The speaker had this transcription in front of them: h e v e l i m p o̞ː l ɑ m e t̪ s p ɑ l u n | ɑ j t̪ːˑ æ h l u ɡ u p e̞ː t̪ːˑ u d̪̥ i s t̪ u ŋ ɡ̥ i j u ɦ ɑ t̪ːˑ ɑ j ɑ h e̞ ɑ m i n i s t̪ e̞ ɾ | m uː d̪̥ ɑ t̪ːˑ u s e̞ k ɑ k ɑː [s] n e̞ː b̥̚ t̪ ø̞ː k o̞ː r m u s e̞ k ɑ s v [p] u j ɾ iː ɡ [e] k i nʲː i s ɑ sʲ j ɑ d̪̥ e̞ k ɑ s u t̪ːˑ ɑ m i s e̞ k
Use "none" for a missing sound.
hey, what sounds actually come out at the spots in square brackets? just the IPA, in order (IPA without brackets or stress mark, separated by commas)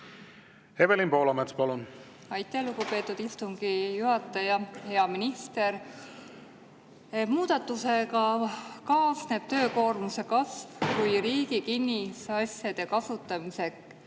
s, k, i